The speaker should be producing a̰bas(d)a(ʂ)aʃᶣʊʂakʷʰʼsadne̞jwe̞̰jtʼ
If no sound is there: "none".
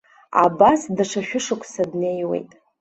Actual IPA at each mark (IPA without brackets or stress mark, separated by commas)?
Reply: d, ʂ